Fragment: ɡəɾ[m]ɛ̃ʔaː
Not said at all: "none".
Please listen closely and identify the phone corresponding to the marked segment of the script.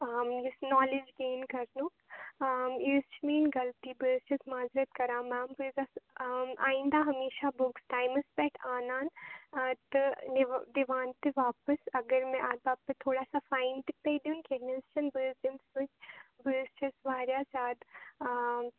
m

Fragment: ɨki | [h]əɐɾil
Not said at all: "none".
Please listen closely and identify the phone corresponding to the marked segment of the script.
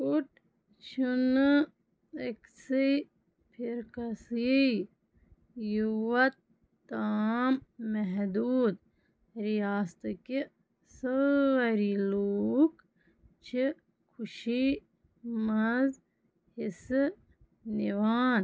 s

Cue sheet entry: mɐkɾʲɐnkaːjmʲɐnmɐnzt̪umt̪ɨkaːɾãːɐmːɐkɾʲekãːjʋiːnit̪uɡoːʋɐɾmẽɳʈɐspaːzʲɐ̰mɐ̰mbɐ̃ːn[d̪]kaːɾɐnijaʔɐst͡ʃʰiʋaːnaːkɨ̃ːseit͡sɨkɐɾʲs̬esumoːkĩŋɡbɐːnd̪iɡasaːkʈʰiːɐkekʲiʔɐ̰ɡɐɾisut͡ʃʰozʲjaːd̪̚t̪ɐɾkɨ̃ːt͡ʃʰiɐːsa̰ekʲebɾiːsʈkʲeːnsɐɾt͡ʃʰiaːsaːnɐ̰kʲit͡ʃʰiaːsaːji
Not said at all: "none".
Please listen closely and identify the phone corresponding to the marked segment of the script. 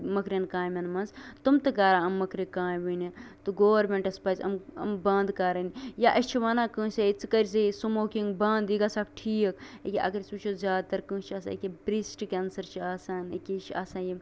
d̪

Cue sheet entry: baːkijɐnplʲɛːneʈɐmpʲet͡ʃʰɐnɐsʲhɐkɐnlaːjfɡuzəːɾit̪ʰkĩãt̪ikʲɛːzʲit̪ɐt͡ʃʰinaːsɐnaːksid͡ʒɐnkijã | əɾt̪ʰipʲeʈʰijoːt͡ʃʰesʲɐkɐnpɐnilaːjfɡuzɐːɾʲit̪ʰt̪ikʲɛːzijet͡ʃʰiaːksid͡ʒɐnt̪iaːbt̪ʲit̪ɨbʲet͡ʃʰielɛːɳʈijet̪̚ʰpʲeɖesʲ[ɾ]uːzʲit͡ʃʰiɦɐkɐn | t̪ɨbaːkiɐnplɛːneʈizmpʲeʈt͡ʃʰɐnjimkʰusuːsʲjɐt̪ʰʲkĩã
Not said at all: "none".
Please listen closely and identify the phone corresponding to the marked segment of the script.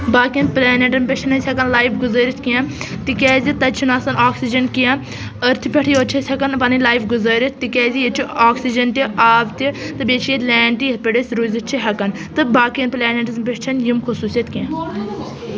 ɾ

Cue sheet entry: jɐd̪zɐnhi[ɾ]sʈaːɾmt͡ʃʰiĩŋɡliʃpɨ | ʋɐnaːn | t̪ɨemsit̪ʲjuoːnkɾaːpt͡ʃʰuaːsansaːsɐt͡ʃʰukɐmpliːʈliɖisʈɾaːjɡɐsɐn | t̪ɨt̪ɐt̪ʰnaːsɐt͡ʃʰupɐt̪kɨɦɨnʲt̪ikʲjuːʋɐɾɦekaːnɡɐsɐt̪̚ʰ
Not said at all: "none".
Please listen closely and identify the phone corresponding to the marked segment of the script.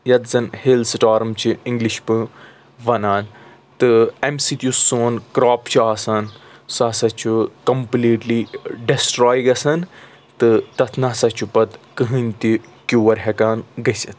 l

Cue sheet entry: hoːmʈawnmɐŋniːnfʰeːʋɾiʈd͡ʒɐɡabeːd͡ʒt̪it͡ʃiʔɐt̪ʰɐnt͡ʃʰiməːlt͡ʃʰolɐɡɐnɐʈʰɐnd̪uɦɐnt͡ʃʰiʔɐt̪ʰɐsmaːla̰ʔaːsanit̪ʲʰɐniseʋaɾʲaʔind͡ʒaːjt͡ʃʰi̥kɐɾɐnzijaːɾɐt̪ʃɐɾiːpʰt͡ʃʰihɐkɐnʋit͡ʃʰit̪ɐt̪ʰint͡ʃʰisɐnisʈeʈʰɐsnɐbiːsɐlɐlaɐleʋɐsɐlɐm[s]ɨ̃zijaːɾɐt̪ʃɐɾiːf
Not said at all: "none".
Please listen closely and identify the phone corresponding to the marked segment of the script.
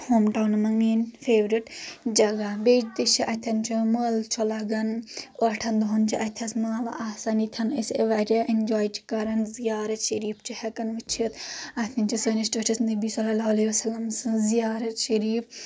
s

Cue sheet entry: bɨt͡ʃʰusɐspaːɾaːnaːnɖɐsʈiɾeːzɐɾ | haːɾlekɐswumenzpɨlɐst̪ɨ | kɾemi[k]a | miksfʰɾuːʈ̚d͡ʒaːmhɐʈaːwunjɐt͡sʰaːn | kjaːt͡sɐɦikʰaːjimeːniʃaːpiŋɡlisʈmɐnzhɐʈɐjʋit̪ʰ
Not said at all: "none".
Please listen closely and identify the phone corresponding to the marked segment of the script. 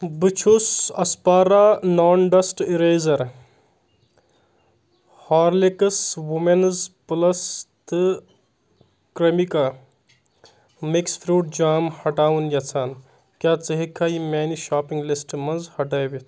k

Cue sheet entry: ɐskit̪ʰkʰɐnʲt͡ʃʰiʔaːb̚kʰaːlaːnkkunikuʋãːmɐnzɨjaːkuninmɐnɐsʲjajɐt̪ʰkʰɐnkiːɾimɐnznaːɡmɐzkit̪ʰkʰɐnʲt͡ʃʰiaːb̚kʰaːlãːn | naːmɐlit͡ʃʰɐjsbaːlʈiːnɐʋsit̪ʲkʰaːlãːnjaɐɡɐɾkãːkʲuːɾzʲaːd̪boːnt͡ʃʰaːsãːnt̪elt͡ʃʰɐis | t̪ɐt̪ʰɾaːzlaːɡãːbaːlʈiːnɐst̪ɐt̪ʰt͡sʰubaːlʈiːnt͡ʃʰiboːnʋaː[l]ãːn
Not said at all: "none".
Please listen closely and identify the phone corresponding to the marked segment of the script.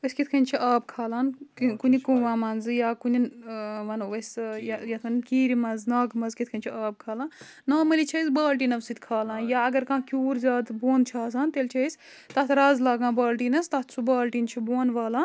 l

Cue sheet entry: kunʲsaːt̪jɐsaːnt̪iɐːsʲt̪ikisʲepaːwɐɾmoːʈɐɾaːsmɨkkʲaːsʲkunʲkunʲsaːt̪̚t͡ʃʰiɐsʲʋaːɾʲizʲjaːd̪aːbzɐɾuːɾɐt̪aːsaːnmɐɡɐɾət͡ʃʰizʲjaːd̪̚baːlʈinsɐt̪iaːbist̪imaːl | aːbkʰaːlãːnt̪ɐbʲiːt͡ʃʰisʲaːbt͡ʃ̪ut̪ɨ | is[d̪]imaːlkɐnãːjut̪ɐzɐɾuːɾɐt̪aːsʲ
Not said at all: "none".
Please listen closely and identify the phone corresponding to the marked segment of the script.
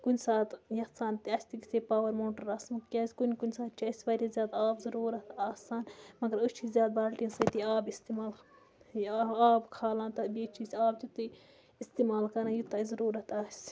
t̪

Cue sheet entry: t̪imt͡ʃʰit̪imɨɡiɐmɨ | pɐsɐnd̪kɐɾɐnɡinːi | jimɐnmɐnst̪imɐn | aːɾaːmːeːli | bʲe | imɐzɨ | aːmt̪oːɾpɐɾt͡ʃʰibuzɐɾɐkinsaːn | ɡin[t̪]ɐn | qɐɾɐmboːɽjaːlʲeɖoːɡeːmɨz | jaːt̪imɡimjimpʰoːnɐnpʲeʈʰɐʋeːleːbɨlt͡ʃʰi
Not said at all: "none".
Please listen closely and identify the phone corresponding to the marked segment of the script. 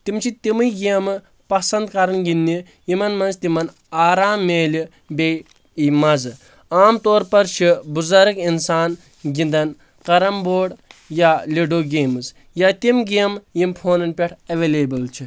d̪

